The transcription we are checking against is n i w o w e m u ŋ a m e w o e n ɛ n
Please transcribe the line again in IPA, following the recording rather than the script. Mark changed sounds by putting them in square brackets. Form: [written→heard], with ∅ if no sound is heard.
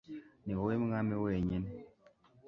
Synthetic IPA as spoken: n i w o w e m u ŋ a m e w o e [n→ɲ] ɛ n